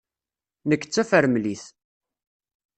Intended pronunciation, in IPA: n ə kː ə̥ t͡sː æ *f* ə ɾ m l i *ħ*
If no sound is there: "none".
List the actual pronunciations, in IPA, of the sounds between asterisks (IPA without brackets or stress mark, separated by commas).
f, θ